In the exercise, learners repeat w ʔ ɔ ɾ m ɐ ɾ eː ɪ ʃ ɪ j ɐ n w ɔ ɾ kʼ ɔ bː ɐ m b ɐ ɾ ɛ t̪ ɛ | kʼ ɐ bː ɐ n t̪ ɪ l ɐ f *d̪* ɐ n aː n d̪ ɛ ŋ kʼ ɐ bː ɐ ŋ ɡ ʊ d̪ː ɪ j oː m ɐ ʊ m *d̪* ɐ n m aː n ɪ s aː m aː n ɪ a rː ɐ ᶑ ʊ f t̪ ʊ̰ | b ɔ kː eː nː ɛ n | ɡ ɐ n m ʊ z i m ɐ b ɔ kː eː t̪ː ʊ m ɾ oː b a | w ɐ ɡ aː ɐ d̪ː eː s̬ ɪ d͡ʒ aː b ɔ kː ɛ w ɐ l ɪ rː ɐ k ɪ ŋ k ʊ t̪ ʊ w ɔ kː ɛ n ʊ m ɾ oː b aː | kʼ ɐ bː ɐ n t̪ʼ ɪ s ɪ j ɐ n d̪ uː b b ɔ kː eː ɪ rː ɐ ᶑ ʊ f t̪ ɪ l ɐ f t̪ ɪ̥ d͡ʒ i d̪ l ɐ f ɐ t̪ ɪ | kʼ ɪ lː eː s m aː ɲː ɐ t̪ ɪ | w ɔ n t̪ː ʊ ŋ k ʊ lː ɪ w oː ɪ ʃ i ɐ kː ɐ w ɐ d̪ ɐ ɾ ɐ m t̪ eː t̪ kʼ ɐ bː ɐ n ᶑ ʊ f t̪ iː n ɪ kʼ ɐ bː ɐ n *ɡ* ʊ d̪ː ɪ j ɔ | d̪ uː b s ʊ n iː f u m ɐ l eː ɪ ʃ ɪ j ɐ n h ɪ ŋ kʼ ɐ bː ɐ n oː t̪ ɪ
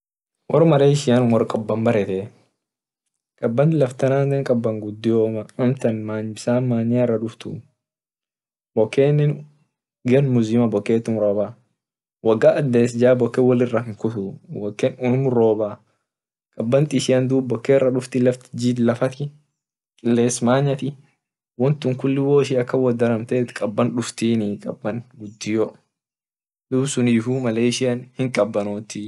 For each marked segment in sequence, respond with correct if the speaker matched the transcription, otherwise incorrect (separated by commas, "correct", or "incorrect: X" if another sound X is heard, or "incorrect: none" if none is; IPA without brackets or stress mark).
incorrect: t̪, incorrect: t̪, correct